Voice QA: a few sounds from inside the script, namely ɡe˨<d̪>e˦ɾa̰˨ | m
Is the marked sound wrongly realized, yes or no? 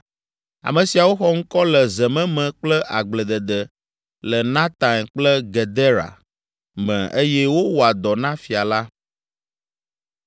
no